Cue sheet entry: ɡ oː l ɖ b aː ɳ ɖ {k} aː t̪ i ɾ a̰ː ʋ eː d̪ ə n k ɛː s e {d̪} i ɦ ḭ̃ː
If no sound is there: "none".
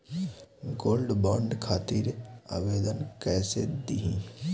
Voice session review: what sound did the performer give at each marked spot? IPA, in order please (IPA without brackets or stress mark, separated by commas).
kʰ, d̪